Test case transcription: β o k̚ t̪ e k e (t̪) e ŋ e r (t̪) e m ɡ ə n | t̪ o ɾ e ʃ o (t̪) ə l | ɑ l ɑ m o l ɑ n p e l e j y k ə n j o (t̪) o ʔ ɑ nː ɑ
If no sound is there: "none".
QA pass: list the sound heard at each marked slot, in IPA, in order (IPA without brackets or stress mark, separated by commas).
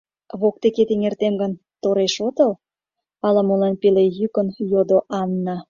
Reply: t̪, t̪, t̪, d̪